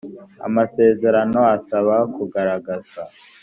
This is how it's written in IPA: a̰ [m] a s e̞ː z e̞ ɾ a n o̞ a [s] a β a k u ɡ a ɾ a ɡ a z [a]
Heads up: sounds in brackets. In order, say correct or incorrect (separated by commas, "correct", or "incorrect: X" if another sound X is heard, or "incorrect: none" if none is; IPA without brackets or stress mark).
correct, correct, correct